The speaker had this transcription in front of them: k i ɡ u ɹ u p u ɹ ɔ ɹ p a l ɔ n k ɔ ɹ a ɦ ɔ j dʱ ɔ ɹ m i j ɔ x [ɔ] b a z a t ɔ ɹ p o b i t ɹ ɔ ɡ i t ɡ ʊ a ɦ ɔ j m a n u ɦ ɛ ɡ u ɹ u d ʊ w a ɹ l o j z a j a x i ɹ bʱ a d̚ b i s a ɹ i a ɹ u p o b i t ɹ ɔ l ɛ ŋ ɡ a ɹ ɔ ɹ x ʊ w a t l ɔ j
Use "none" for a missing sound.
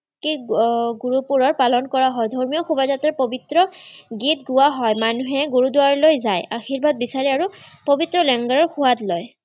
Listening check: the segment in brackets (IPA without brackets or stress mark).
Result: u